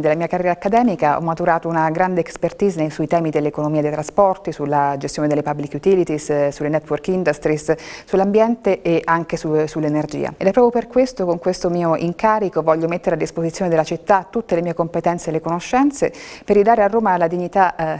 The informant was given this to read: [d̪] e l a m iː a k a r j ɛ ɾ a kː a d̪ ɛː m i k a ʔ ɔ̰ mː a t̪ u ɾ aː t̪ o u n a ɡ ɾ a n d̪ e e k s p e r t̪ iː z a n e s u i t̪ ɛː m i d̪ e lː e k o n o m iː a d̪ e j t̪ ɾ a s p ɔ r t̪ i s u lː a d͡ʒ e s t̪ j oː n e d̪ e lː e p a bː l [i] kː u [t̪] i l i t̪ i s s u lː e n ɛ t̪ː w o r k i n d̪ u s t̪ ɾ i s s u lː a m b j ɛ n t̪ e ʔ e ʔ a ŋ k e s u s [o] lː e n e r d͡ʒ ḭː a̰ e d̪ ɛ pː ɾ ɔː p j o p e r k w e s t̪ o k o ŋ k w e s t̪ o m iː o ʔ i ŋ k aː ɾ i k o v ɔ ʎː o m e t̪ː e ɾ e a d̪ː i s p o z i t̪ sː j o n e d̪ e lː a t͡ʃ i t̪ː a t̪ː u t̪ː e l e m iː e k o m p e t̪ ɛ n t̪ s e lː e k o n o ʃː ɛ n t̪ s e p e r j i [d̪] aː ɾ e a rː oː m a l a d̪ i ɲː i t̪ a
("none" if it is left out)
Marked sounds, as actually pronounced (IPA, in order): d̪, i, t̪, u, d̪

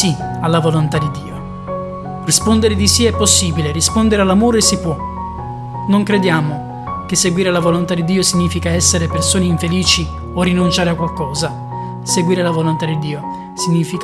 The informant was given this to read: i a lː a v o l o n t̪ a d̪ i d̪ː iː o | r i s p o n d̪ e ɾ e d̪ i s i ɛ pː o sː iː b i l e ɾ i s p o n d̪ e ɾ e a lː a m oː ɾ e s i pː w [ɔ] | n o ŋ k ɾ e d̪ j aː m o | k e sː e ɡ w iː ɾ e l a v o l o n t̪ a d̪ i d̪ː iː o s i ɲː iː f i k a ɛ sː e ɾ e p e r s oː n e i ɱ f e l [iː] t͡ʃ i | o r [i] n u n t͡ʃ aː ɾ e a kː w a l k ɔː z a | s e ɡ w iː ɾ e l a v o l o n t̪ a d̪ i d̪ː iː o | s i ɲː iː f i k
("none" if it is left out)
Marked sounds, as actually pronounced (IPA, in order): ɔ, iː, i

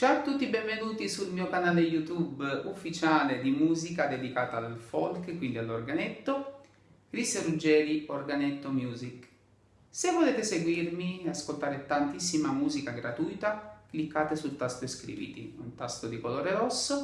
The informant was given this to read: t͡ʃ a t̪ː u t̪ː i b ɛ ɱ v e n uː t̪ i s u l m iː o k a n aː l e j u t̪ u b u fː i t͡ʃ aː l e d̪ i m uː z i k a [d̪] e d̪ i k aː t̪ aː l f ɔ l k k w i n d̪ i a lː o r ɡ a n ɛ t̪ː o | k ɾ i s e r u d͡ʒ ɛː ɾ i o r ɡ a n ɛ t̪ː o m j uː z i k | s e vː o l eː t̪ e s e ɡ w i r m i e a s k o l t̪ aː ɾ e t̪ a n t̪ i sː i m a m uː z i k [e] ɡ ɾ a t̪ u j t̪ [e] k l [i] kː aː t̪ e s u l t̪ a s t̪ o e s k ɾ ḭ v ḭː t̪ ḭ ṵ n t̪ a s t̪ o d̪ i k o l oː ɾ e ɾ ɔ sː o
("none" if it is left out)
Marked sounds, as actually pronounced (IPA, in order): d̪, a, a, i

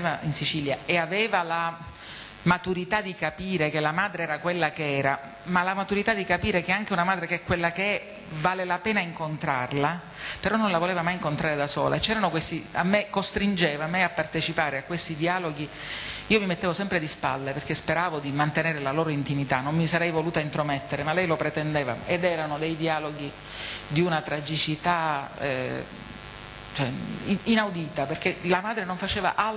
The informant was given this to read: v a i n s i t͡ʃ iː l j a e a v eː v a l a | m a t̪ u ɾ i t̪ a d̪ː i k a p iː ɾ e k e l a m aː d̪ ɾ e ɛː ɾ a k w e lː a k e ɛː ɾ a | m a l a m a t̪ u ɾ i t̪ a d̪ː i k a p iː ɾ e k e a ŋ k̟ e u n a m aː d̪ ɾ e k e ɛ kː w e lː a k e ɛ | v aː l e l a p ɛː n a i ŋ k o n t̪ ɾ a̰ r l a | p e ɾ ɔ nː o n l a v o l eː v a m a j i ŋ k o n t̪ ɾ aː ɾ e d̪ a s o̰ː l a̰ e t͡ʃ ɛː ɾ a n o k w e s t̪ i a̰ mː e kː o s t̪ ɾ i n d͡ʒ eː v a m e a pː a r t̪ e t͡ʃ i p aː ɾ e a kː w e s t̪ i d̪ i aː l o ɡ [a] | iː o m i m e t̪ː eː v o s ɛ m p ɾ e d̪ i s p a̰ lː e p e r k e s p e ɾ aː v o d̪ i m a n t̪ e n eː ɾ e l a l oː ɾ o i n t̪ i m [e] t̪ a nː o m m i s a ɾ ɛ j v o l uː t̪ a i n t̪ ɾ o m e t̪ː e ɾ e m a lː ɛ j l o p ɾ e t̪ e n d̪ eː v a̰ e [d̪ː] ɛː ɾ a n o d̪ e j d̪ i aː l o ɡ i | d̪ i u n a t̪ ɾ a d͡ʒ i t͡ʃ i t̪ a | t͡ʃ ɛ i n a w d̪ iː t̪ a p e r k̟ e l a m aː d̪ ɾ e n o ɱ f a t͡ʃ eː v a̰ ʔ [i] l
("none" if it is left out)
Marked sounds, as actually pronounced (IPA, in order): i, i, d̪, a

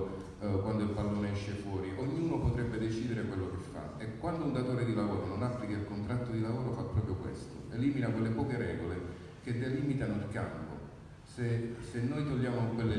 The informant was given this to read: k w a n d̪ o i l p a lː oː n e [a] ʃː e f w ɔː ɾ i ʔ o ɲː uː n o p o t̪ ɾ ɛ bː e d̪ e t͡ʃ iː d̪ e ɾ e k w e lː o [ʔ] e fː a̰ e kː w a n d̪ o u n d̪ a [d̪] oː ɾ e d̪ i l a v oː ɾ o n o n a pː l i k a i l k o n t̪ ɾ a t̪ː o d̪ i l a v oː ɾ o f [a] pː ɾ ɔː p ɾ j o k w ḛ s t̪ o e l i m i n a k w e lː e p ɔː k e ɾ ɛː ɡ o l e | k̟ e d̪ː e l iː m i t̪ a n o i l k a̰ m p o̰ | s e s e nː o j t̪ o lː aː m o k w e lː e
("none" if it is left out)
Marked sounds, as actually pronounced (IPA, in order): ɛ, k, t̪, a

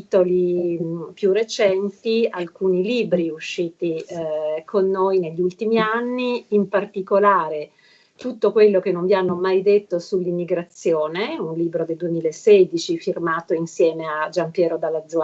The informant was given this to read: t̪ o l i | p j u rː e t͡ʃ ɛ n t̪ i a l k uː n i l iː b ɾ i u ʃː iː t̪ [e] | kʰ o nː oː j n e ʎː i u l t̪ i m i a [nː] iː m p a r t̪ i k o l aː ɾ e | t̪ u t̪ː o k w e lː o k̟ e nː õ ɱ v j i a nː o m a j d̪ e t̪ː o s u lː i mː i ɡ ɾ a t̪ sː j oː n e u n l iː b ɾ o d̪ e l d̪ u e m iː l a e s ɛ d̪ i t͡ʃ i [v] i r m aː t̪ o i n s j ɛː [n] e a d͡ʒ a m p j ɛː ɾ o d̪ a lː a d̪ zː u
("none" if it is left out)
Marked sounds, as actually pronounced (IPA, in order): i, nː, f, m

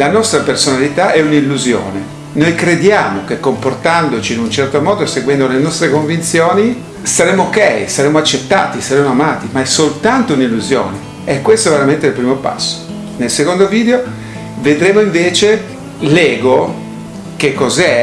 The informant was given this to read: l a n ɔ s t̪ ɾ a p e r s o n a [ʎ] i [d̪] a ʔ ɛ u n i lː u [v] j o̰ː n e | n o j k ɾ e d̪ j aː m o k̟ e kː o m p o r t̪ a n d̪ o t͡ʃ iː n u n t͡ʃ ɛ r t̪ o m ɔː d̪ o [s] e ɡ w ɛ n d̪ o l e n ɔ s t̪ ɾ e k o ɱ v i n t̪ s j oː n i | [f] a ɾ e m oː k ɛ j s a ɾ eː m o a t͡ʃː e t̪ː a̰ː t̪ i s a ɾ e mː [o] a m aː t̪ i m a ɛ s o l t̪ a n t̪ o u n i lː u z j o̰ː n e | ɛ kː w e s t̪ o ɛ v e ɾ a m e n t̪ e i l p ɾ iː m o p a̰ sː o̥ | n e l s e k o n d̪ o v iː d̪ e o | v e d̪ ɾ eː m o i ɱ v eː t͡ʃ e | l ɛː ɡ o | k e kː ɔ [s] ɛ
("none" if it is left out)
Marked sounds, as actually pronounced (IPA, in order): l, t̪, z, s, s, o, z

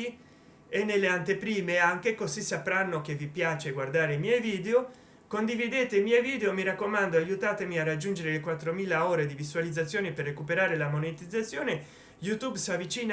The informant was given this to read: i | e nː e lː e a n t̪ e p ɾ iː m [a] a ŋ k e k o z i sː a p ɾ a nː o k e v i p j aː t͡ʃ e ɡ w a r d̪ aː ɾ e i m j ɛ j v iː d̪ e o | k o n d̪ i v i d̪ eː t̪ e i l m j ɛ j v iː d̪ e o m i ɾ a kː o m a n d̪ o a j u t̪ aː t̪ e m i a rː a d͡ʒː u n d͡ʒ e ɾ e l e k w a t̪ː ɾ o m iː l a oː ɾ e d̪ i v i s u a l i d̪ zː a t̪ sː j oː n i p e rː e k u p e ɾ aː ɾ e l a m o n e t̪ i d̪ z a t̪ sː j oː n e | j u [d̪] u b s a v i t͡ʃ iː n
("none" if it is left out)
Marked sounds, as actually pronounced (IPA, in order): e, t̪

